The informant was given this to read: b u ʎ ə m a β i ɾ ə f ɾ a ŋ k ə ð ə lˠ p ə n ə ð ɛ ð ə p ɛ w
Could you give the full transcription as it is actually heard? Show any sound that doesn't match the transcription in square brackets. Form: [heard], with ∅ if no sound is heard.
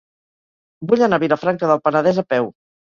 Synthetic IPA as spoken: b u ʎ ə [n] a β i ɾ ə f ɾ a ŋ k ə ð ə lˠ p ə n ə ð ɛ [z] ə p ɛ w